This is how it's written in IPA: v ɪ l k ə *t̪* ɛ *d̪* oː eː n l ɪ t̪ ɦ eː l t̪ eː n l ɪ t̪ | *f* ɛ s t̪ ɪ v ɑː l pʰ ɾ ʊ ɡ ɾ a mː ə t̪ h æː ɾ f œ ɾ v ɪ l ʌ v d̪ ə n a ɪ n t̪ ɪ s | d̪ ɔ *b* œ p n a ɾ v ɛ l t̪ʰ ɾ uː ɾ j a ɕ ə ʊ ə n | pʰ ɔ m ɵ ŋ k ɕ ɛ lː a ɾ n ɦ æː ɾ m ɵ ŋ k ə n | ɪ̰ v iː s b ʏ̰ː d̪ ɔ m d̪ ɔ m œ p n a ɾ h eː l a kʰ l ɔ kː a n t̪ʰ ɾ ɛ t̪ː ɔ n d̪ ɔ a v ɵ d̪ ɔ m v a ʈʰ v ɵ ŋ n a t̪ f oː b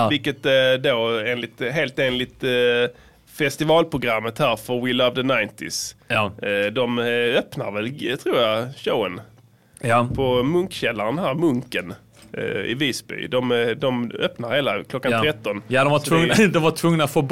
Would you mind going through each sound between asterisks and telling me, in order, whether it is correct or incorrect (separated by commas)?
correct, correct, correct, incorrect